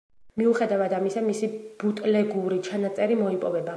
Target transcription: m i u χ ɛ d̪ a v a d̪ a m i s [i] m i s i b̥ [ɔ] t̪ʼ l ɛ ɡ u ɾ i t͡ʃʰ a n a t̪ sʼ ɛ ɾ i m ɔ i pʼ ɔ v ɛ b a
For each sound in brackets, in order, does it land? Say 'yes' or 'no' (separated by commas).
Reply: no, no